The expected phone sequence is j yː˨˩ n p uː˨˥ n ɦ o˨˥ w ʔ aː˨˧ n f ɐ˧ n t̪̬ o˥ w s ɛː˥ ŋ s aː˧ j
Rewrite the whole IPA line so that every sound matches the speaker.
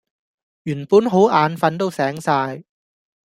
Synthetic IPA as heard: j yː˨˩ n p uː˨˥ n ɦ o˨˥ w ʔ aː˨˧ n f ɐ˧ n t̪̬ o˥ w s ɛː˨˥ ŋ s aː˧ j